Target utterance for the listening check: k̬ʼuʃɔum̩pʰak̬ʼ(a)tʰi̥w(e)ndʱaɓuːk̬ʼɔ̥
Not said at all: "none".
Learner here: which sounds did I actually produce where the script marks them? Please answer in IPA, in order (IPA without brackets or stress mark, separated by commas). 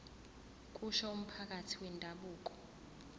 a, ɛ